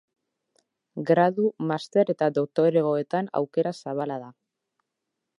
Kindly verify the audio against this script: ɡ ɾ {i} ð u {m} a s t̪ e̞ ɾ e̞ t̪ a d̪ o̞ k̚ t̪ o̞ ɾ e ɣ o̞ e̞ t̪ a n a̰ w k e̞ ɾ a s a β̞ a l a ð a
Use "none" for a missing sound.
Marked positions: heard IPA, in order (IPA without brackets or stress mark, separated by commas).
a, m